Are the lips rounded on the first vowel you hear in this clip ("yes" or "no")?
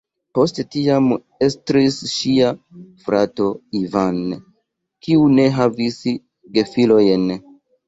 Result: yes